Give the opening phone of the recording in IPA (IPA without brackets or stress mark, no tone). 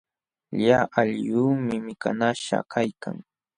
ʎ